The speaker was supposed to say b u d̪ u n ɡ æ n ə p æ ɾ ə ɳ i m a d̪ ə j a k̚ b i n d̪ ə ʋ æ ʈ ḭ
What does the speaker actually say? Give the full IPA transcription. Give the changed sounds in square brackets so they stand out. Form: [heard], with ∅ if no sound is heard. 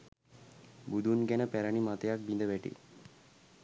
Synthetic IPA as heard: b u d̪ u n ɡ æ n ə p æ ɾ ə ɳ i m a [t̪] ə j a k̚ b i n d̪ ə ʋ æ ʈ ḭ